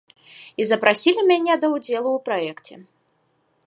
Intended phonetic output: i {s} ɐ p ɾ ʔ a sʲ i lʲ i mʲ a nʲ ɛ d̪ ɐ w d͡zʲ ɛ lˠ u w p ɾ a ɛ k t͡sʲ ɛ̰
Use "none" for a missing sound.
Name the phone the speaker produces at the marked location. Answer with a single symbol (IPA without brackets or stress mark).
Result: z